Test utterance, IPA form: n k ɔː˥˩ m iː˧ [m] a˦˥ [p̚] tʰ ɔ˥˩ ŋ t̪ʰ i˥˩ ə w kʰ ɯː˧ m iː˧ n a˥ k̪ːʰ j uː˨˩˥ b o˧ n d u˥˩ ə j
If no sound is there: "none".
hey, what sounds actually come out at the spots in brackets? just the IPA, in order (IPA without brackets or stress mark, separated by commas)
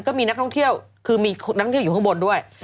n, k̚